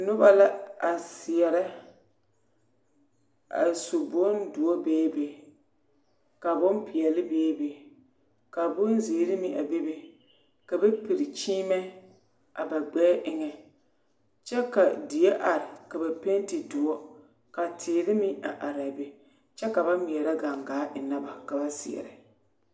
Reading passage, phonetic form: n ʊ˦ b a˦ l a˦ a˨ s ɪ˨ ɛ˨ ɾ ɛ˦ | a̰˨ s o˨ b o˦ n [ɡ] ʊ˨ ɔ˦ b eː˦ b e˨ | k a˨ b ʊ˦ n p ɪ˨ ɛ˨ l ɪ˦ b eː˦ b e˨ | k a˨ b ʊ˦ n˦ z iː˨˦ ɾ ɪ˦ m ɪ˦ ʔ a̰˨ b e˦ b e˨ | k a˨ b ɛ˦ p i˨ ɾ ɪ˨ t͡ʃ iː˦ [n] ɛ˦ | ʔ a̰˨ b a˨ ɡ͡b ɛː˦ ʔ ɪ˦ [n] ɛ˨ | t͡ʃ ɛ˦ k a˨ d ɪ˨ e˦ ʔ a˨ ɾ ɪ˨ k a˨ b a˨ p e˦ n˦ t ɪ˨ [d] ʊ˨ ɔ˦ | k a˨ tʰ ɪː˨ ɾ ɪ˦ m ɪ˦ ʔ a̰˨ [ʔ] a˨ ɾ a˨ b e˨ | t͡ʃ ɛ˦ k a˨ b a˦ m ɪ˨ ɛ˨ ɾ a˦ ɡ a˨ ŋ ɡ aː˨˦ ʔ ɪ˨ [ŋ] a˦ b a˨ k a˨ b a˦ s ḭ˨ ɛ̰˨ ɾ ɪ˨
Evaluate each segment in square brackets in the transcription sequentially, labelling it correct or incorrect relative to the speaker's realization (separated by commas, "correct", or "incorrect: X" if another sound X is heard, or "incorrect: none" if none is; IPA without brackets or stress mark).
incorrect: d, incorrect: m, incorrect: ŋ, correct, correct, incorrect: n